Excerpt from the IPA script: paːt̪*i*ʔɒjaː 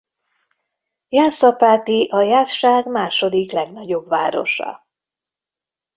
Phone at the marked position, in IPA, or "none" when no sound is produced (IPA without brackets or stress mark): i